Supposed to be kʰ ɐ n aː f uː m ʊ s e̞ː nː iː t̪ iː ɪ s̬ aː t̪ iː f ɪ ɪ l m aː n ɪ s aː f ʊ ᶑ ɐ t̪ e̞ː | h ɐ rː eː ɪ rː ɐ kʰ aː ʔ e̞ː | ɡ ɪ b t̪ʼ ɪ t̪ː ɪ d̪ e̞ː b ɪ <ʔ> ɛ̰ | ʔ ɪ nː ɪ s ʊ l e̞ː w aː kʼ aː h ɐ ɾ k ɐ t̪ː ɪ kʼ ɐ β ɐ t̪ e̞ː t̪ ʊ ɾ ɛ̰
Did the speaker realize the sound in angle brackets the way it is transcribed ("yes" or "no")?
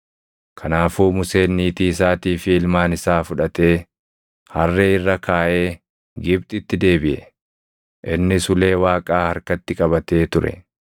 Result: yes